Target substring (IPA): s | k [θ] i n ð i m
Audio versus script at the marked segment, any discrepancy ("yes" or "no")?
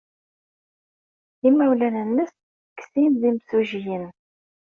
yes